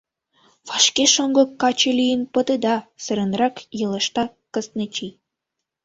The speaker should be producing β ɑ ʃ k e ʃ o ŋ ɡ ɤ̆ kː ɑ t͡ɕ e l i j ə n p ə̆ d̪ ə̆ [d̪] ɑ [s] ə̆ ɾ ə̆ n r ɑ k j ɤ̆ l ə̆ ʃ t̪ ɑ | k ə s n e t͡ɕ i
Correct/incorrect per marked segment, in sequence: correct, correct

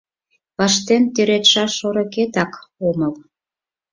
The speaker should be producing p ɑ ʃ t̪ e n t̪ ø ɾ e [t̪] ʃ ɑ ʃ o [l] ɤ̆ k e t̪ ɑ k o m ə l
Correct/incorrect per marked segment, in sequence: correct, incorrect: ɾ

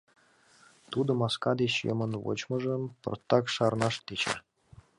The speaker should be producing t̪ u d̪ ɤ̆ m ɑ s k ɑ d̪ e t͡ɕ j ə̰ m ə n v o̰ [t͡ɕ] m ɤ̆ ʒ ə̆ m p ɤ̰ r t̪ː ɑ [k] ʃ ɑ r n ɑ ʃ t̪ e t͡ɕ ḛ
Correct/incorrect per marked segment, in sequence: correct, correct

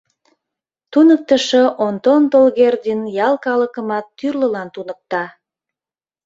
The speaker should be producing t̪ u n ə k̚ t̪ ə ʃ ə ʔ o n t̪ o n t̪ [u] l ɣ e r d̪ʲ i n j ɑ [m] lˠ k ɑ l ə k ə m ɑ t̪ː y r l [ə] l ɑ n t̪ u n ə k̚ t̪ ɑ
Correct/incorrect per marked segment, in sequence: incorrect: o, incorrect: none, correct

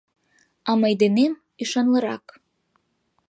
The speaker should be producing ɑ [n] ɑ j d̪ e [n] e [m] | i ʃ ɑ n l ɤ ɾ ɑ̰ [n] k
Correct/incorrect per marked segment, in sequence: incorrect: m, correct, correct, incorrect: none

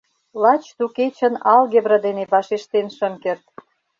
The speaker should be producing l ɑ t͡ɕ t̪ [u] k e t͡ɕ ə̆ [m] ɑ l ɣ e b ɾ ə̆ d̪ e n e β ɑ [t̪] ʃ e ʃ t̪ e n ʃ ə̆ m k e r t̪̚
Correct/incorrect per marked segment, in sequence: correct, incorrect: n, incorrect: none

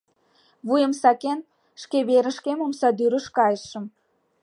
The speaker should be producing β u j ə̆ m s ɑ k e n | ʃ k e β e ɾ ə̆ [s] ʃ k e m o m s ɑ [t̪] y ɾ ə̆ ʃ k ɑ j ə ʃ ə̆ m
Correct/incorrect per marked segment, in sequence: incorrect: none, incorrect: d̪

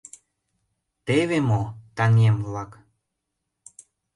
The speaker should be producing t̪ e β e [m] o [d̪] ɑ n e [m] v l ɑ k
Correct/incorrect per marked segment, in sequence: correct, incorrect: t̪, correct

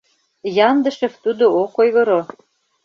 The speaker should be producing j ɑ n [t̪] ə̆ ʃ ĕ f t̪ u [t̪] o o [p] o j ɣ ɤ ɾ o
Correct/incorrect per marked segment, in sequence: incorrect: d̪, incorrect: d̪, incorrect: k

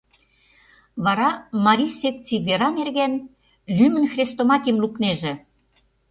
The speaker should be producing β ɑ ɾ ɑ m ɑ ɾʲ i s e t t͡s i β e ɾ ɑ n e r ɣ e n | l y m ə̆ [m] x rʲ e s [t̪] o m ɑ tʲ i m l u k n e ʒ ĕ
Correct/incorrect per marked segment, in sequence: incorrect: n, correct

